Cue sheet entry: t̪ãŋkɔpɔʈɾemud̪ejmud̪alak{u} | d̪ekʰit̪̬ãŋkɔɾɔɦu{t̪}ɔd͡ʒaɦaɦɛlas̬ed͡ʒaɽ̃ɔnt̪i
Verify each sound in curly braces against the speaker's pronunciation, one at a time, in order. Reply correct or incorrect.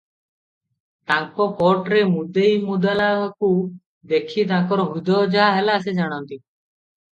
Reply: correct, incorrect: d̪

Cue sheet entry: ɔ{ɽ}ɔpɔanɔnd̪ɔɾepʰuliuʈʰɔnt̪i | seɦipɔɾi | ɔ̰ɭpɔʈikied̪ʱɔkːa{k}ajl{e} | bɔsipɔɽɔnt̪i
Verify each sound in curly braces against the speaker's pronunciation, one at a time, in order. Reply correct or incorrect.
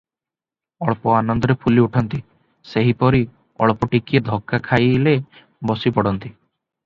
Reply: incorrect: ɭ, incorrect: kʰ, correct

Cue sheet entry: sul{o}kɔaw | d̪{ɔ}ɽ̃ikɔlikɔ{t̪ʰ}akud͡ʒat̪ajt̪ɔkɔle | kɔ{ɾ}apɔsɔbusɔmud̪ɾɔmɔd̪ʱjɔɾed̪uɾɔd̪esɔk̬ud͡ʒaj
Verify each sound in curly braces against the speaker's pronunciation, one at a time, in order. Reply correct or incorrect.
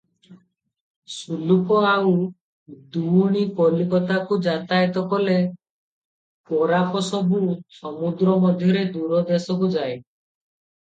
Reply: incorrect: u, incorrect: u, incorrect: t̪, correct

